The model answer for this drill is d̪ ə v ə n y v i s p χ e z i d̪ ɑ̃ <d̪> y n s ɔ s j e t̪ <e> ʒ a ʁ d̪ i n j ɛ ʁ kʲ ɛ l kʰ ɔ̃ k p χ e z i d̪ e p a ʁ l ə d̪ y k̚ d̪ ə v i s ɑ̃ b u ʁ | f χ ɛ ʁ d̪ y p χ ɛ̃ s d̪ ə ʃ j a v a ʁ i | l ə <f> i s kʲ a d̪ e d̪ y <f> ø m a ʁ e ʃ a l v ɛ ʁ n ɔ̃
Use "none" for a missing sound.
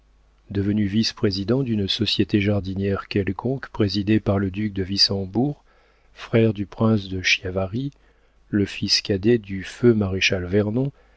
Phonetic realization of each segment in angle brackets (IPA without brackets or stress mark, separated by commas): d̪, e, f, f